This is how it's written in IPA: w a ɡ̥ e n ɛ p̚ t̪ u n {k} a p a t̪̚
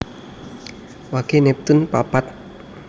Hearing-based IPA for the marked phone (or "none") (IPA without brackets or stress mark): p